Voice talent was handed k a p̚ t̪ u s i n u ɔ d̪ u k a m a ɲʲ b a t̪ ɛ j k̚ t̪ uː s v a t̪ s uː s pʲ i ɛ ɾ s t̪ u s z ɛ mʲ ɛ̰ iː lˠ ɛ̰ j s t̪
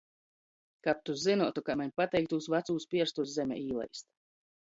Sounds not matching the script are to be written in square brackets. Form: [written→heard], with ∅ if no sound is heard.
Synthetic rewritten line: k a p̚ t̪ u [s→z] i n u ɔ [d̪→t̪] u k a m a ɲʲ [b→p] a t̪ ɛ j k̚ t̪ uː s v a t̪ s uː s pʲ i ɛ ɾ s t̪ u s z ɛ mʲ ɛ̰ iː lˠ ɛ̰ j s t̪